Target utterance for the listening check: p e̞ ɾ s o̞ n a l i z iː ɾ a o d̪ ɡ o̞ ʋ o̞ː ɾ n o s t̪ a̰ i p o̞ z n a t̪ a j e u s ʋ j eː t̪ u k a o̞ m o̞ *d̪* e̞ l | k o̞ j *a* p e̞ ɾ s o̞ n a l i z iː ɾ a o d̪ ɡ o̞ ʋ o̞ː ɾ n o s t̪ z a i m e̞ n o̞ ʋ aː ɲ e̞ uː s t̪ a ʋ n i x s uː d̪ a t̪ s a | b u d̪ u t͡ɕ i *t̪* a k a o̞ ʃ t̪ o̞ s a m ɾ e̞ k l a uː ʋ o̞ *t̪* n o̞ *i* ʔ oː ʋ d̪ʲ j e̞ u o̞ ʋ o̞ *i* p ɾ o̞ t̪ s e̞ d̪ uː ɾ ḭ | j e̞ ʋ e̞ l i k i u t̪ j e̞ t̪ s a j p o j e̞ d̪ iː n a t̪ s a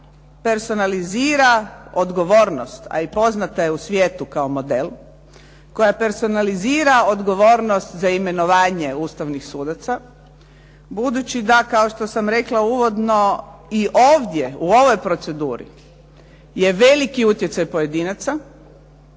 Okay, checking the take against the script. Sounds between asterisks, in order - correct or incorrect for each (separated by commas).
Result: correct, correct, incorrect, incorrect, correct, incorrect